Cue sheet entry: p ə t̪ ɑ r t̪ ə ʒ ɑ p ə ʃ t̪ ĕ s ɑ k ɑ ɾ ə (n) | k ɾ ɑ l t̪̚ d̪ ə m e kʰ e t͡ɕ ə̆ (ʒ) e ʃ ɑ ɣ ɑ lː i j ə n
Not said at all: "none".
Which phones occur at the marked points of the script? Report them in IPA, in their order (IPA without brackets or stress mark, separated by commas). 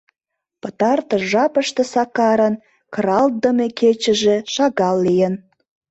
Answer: n, ʒ